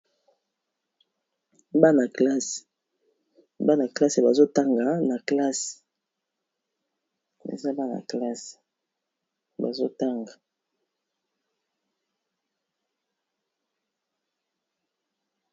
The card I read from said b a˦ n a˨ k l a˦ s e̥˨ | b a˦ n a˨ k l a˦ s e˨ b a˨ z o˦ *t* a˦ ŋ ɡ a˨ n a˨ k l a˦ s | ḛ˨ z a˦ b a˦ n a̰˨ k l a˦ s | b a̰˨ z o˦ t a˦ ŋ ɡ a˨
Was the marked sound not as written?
no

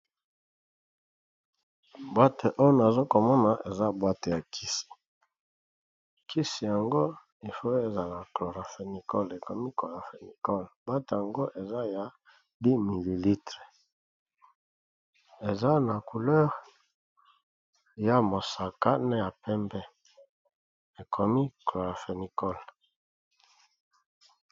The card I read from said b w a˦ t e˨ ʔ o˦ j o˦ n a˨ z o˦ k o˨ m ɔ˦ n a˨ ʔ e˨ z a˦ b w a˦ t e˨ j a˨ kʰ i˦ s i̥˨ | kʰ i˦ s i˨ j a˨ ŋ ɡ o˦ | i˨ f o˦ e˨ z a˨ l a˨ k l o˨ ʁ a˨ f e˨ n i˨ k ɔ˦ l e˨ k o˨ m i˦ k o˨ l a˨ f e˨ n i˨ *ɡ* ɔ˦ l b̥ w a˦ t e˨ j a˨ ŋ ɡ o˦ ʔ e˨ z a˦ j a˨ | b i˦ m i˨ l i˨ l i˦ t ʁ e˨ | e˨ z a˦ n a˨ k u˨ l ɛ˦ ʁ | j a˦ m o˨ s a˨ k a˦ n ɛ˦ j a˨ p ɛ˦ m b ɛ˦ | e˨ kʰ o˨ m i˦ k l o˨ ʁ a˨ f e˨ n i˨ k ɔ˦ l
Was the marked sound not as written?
yes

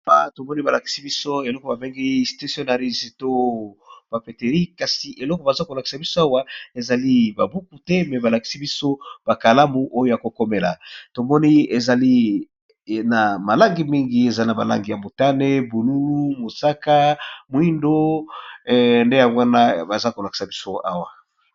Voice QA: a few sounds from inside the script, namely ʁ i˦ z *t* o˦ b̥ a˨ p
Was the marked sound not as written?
no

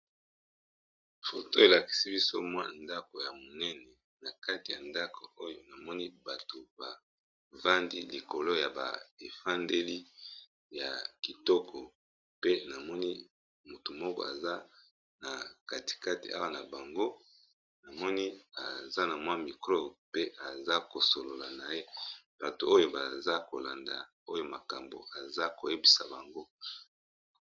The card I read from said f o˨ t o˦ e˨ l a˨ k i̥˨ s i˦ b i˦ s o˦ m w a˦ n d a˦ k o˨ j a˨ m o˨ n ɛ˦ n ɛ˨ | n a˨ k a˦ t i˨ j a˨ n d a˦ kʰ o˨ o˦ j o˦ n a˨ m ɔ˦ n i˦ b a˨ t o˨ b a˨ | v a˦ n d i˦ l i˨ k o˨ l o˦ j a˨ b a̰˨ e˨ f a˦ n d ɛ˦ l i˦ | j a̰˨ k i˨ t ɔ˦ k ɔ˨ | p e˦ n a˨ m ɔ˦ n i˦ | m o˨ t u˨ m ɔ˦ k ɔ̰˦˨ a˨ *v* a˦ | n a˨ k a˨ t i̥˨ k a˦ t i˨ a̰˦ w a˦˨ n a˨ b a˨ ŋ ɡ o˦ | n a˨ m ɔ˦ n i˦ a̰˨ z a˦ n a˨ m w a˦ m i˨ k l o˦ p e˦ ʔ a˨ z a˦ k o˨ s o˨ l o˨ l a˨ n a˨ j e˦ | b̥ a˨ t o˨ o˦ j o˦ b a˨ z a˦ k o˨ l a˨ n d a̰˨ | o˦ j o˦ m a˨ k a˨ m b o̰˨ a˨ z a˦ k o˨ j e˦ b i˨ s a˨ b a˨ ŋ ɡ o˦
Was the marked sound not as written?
yes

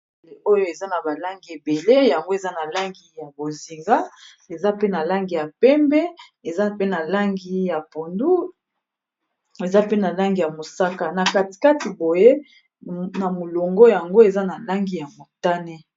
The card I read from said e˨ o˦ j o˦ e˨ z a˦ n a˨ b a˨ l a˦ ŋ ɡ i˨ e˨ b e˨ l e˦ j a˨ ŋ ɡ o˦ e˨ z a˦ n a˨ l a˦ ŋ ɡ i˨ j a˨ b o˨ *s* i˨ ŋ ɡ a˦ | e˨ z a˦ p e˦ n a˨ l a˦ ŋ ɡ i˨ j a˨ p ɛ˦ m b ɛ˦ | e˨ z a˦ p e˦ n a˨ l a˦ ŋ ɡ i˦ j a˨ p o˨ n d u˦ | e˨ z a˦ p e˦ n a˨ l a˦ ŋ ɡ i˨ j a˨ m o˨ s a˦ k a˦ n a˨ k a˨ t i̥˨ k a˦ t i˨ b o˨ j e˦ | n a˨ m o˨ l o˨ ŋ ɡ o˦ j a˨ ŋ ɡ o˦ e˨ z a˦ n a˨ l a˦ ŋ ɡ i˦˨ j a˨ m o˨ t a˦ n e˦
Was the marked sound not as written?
yes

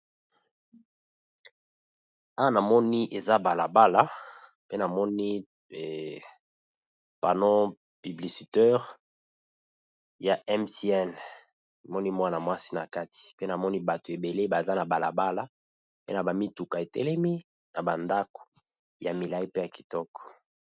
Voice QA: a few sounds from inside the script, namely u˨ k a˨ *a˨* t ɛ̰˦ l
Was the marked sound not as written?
yes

